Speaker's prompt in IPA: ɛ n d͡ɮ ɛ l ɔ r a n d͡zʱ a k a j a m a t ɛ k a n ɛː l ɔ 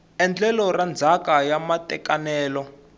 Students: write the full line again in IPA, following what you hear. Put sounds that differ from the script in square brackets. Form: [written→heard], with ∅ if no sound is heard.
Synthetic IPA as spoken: ɛ n d͡ɮ ɛ l ɔ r a n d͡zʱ a k a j a m a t ɛ k a n ɛː l ɔ